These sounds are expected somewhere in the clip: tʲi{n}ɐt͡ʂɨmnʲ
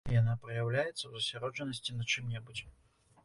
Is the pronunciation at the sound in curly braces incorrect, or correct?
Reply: correct